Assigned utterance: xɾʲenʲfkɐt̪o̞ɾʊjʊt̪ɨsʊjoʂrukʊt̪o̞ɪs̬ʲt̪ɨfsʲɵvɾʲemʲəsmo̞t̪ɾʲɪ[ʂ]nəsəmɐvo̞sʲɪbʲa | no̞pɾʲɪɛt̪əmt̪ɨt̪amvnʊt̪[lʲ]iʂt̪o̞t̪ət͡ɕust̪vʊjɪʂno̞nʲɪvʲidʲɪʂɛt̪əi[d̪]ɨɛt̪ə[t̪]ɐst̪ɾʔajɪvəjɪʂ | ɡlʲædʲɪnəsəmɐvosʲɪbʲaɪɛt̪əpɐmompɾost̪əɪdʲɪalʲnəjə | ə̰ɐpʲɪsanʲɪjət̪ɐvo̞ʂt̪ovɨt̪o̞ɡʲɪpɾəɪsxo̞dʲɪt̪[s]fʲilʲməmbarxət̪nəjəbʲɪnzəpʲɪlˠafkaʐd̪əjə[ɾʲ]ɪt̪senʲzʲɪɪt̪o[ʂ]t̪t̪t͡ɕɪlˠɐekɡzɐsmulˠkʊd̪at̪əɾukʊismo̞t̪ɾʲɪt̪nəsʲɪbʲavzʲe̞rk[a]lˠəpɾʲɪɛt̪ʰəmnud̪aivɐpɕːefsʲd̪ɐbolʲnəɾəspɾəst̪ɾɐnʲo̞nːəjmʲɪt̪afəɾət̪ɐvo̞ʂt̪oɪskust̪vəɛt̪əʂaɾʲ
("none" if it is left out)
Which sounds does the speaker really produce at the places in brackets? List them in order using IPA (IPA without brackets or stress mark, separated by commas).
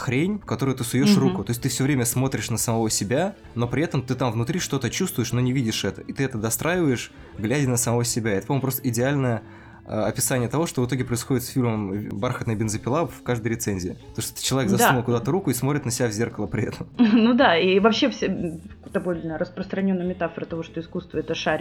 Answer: ʂ, ɾʲ, t̪, d̪, s, ɾʲ, ʂ, ə